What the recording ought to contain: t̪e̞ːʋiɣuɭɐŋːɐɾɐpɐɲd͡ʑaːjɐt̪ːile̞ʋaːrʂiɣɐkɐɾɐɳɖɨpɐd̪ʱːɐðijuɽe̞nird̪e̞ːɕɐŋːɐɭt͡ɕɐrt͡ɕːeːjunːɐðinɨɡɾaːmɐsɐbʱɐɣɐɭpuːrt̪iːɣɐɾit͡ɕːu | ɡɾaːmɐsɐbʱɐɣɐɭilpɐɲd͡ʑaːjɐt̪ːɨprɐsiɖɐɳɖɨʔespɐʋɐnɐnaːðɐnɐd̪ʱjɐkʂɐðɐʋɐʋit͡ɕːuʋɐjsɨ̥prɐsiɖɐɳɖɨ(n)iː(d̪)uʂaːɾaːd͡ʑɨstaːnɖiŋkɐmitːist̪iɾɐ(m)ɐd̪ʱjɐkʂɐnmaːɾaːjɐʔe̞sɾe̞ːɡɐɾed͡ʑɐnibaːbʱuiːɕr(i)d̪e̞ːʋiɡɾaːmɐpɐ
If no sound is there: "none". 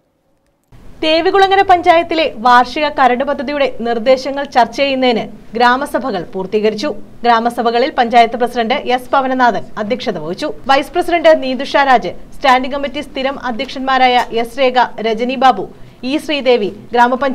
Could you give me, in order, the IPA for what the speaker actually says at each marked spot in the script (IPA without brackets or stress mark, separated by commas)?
n, d̪, m, iː